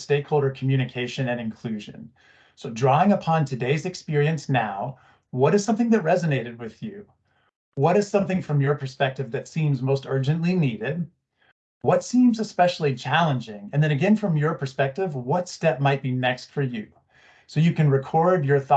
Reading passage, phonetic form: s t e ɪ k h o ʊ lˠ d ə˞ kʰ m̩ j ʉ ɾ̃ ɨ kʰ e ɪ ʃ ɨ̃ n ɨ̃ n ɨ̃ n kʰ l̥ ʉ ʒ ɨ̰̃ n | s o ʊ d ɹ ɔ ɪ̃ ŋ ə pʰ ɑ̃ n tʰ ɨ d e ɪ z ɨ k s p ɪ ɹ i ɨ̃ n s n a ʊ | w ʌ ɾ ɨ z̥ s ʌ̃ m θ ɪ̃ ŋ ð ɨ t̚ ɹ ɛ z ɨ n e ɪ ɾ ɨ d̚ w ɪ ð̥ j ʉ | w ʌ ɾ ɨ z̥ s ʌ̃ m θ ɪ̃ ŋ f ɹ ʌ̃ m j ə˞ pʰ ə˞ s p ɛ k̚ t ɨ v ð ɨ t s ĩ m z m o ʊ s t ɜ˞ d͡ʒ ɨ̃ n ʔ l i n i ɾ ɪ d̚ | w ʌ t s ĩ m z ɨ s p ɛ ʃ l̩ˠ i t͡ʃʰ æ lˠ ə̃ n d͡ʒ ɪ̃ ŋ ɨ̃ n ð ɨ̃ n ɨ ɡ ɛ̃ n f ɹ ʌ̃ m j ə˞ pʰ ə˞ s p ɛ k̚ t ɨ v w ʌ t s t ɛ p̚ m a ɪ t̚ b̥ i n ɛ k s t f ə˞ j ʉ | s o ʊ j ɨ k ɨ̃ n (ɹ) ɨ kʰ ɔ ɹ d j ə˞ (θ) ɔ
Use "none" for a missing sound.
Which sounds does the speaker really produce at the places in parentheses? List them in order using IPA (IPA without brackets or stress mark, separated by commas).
ɹ, θ